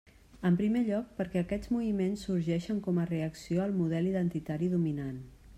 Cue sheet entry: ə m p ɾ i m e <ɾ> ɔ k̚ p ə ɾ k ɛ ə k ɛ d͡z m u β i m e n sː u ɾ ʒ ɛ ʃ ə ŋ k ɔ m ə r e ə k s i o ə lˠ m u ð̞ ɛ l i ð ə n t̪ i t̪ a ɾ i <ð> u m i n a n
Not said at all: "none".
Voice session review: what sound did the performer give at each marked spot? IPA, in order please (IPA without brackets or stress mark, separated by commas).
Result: ʎ, ð